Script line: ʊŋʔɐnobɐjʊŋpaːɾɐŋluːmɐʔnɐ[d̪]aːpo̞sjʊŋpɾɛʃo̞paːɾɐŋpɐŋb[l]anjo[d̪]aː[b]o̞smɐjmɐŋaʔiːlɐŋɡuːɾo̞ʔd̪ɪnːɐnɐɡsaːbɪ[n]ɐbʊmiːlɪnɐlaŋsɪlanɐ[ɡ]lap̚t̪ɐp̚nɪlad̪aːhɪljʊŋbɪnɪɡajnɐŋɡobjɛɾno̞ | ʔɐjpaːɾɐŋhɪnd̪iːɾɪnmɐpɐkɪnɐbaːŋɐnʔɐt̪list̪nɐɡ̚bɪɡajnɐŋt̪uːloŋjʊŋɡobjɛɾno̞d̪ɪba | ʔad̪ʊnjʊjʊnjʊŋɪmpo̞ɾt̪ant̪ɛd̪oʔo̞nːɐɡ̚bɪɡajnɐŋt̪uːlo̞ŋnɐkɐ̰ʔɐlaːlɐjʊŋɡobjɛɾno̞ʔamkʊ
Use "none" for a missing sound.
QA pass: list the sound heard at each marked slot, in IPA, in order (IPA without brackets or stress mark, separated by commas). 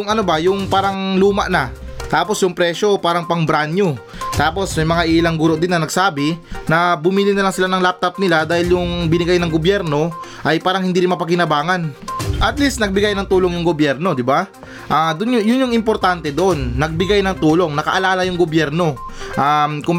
t̪, ɾ, t̪, p, n, ŋ